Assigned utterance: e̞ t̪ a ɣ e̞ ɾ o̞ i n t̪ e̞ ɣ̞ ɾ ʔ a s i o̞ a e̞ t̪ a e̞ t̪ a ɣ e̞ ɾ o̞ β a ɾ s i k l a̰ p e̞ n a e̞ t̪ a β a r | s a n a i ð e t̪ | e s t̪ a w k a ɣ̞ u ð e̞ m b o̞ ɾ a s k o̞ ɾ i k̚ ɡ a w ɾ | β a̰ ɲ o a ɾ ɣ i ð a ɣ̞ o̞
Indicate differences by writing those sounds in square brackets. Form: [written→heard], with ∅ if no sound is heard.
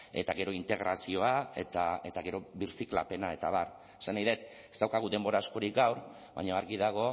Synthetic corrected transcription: e̞ t̪ a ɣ e̞ ɾ o̞ i n t̪ e̞ ɣ̞ ɾ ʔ a s i o̞ a e̞ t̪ a e̞ t̪ a ɣ e̞ ɾ o̞ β [a→i] ɾ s i k l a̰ p e̞ n a e̞ t̪ a β a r | s a n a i ð e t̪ | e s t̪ a w k a ɣ̞ u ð e̞ m b o̞ ɾ a s k o̞ ɾ i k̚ ɡ a w ɾ | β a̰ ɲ o a ɾ ɣ i ð a ɣ̞ o̞

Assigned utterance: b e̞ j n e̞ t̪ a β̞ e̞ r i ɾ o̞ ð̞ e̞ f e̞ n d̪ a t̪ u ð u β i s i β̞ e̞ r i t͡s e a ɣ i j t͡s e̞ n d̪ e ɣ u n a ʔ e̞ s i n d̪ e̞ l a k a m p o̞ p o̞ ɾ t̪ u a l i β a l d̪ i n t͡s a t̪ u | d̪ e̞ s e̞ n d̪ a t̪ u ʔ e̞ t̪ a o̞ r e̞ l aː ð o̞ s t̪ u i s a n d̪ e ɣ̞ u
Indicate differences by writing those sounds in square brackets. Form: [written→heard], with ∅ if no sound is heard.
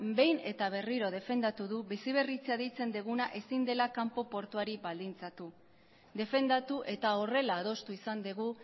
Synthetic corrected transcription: b e̞ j n e̞ t̪ a β̞ e̞ r i ɾ o̞ ð̞ e̞ f e̞ n d̪ a t̪ u ð u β i s i β̞ e̞ r i t͡s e a [ɣ→ð] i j t͡s e̞ n d̪ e ɣ u n a ʔ e̞ s i n d̪ e̞ l a k a m p o̞ p o̞ ɾ t̪ u a [l→ɾ] i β a l d̪ i n t͡s a t̪ u | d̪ e̞ [s→f] e̞ n d̪ a t̪ u ʔ e̞ t̪ a o̞ r e̞ l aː ð o̞ s t̪ u i s a n d̪ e ɣ̞ u

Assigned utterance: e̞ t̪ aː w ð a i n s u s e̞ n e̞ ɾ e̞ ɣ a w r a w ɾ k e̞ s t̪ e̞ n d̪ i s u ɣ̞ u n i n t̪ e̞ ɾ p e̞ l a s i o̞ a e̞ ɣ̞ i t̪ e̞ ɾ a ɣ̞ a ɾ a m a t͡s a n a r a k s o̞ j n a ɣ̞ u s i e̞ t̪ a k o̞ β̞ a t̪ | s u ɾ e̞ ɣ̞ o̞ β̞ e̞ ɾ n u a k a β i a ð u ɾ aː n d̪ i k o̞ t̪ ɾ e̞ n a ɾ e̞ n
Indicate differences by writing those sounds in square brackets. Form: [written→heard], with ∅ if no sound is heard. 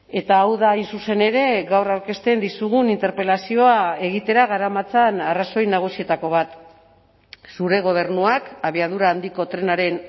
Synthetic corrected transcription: e̞ t̪ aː w ð a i n s u s e̞ n e̞ ɾ e̞ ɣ a w r a w ɾ k e̞ s t̪ e̞ n d̪ i s u ɣ̞ u n i n t̪ e̞ ɾ p e̞ l a s i o̞ a e̞ ɣ̞ i t̪ e̞ ɾ a ɣ̞ a ɾ a m a t͡s a n a r a [k→∅] s o̞ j n a ɣ̞ u s i e̞ t̪ a k o̞ β̞ a t̪ | s u ɾ e̞ ɣ̞ o̞ β̞ e̞ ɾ n u a k a β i a ð u ɾ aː n d̪ i k o̞ t̪ ɾ e̞ n a ɾ e̞ n

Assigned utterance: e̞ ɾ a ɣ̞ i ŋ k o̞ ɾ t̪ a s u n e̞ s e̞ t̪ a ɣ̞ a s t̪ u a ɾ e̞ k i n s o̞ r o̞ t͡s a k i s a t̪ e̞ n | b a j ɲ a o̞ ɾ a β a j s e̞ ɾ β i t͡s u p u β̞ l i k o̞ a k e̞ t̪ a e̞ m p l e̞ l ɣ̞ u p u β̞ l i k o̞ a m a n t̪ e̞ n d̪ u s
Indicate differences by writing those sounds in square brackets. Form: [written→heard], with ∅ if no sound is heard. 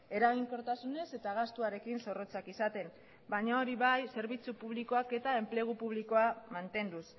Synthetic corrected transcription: e̞ ɾ a ɣ̞ i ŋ k o̞ ɾ t̪ a s u n e̞ s e̞ t̪ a ɣ̞ a s t̪ u a ɾ e̞ k i n s o̞ r o̞ t͡s a k i s a t̪ e̞ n | b a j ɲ a o̞ ɾ [a→i] β a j s e̞ ɾ β i t͡s u p u β̞ l i k o̞ a k e̞ t̪ a e̞ m p l e̞ [l→∅] ɣ̞ u p u β̞ l i k o̞ a m a n t̪ e̞ n d̪ u s

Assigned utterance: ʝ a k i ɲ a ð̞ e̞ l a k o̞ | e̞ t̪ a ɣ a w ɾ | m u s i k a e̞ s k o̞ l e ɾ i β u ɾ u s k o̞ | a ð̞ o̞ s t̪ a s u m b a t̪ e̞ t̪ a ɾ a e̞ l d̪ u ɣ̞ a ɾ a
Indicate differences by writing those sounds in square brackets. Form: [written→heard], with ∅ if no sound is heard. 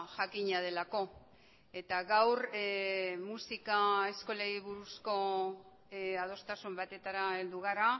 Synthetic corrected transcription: ʝ a k i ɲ a ð̞ e̞ l a k o̞ | e̞ t̪ a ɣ a w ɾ | m u s i k a e̞ s k o̞ l e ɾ i β u ɾ u s k o̞ | a ð̞ o̞ s t̪ a s u m b a t̪ e̞ t̪ a ɾ a e̞ l d̪ u ɣ̞ a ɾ a

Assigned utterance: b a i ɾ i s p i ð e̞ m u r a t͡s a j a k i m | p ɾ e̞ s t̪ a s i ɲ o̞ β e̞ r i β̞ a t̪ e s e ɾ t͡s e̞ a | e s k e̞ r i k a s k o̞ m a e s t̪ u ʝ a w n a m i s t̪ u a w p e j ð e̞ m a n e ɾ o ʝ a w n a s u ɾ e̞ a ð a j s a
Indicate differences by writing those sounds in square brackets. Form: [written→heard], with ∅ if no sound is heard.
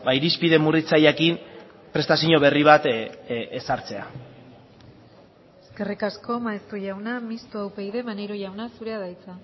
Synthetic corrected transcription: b a i ɾ i s p i ð e̞ m u r [a→i] t͡s a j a k i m | p ɾ e̞ s t̪ a s i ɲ o̞ β e̞ r i β̞ a t̪ e s [e→a] ɾ t͡s e̞ a | e s k e̞ r i k a s k o̞ m a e s t̪ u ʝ a w n a m i s t̪ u a w p e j ð e̞ m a n e ɾ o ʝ a w n a s u ɾ e̞ a ð a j [s→t͡s] a

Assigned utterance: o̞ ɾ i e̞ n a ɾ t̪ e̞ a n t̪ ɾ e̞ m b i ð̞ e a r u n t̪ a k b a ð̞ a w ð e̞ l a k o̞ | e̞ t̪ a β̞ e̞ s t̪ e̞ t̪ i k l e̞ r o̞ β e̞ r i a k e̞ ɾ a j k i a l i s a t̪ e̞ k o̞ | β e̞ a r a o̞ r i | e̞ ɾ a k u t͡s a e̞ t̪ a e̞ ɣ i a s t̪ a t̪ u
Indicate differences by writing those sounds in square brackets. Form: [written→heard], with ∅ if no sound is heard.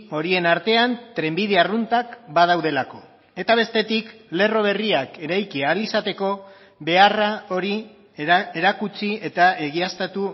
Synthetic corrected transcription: o̞ ɾ i e̞ n a ɾ t̪ e̞ a n t̪ ɾ e̞ m b i ð̞ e a r u n t̪ a k b a ð̞ a w ð e̞ l a k o̞ | e̞ t̪ a β̞ e̞ s t̪ e̞ t̪ i k l e̞ r o̞ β e̞ r i a k e̞ ɾ a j k i a l i s a t̪ e̞ k o̞ | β e̞ a r a o̞ [r→ɾ] i | e̞ ɾ a k u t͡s [a→i] e̞ t̪ a e̞ ɣ i a s t̪ a t̪ u

